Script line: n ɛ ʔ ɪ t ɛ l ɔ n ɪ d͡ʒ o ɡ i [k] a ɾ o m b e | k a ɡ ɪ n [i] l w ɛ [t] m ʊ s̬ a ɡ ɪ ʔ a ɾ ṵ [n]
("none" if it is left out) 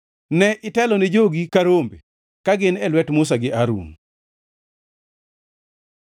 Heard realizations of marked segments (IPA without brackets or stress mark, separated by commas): k, ɛ, t, n